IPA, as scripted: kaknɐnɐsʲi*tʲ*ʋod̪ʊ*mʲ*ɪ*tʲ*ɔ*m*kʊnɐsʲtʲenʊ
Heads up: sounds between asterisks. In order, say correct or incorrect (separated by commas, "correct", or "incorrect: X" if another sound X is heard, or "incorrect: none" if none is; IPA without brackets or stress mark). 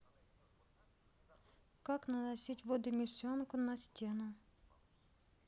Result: correct, correct, incorrect: sʲ, incorrect: n